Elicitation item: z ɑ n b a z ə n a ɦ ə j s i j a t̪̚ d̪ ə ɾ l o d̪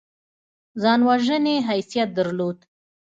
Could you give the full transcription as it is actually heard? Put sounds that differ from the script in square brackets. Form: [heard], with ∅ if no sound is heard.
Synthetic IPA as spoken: z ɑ n [w] a [ʒ] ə n [e] ɦ [a] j s i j a t̪̚ d̪ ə ɾ l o d̪